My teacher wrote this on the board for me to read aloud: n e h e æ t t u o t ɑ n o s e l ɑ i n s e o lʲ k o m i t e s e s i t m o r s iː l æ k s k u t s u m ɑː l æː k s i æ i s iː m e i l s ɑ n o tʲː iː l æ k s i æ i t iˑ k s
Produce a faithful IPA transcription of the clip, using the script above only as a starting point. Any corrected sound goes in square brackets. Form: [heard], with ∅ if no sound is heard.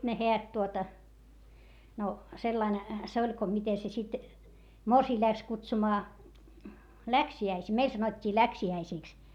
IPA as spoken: n e h e æ t t u o t ɑ n o s e [lː] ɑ i n s e o lʲ k o m i t e s e s i t m o r s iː l æ k s k u t s u m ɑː l [æ] k s i æ i s iː m e i l s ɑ n o tʲː iː l æ k s i æ i [s] iˑ k s